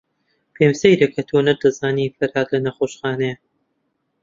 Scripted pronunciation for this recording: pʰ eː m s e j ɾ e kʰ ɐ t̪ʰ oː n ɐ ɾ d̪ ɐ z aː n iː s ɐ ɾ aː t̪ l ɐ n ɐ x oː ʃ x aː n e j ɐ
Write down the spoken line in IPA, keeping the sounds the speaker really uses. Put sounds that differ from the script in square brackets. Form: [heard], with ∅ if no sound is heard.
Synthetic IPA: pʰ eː m s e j ɾ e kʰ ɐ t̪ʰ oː n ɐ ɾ d̪ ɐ z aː n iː [f] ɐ ɾ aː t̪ l ɐ n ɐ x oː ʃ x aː n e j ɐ